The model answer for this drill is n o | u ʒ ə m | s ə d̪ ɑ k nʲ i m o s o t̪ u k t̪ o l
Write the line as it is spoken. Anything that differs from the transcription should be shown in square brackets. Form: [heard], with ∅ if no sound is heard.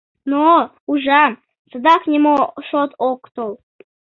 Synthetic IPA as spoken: n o | u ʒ [ɑ] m | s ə d̪ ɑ k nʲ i m o [ʃ] o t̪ [o] k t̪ o l